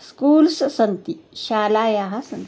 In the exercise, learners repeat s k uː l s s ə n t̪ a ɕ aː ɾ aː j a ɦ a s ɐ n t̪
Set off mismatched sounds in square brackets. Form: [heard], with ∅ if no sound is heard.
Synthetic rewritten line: s k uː l s s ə n t̪ [i] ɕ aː [l] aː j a ɦ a s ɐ n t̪